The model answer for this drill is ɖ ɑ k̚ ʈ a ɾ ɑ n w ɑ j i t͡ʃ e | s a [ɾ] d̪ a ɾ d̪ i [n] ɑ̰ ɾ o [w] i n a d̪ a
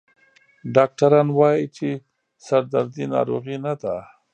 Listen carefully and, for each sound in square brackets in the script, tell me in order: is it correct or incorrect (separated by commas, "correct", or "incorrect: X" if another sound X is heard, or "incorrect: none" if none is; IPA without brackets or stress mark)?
correct, correct, incorrect: ɣ